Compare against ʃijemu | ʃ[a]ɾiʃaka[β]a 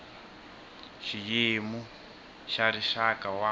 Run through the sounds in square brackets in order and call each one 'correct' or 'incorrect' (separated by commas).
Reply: correct, incorrect